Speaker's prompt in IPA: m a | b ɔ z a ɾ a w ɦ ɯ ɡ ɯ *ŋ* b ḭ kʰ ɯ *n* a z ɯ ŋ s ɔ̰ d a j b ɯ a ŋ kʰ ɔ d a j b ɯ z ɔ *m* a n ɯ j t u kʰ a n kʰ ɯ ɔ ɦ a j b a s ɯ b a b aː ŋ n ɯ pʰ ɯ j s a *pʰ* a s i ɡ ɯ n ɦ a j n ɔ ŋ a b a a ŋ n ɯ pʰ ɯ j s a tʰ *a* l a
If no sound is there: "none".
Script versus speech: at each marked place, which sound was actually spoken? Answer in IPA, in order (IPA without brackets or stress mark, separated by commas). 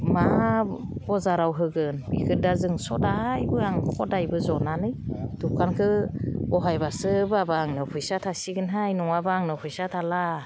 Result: n, d, n, tʰ, a